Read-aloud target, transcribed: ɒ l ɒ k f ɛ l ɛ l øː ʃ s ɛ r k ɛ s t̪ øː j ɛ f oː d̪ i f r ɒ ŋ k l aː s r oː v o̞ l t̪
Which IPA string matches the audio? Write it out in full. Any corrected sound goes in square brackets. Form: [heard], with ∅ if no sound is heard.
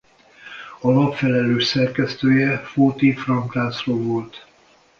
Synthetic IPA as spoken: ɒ l ɒ [p] f ɛ l ɛ l øː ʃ s ɛ r k ɛ s t̪ øː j ɛ f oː [t̪] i f r ɒ ŋ k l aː s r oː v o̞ l t̪